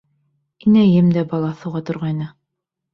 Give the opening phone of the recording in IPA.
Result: i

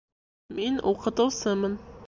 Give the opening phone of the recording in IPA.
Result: m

